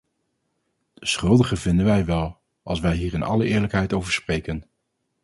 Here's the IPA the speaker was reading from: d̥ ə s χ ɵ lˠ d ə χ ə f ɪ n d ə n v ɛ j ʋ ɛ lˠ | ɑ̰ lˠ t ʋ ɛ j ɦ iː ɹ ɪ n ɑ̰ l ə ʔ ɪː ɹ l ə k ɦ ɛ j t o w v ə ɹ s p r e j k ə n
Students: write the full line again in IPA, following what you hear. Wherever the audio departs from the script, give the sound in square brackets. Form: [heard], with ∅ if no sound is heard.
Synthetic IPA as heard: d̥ ə s χ ɵ lˠ d ə χ ə [v] ɪ n d ə n [ʋ] ɛ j ʋ ɛ lˠ | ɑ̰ lˠ [s] ʋ ɛ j ɦ iː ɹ ɪ n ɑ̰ l ə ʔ ɪː ɹ l ə k ɦ ɛ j t o w v ə ɹ s p r e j k ə n